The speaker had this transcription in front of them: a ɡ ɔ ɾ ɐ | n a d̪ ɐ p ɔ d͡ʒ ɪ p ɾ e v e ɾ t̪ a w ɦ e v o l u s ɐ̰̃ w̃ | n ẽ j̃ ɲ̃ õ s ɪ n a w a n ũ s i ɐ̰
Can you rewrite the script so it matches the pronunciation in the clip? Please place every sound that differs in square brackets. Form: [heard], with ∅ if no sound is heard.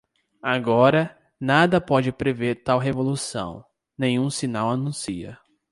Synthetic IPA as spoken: a ɡ ɔ ɾ ɐ | n a d̪ ɐ p ɔ d͡ʒ ɪ p ɾ e v e ɾ t̪ a w ɦ e v o l u s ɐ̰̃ w̃ | n ẽ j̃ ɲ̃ [ũ] s [i] n a w a n ũ s i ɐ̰